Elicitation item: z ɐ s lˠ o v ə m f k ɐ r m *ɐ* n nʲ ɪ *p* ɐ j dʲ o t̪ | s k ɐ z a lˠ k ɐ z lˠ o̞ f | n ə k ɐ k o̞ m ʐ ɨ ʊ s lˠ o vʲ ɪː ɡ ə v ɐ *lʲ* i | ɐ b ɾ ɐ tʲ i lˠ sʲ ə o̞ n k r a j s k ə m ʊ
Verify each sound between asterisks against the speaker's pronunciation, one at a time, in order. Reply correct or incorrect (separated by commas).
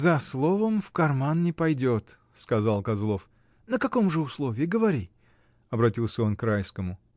incorrect, correct, incorrect